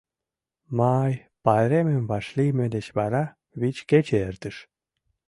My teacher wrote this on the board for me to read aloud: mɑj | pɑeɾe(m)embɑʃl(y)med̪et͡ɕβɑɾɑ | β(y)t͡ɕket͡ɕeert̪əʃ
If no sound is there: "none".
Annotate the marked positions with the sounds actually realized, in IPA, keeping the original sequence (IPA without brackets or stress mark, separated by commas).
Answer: m, i, i